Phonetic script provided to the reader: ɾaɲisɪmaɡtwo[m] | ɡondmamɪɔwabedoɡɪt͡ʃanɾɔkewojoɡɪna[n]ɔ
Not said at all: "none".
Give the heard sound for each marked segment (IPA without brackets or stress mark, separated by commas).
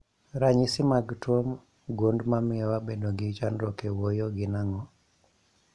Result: m, ŋ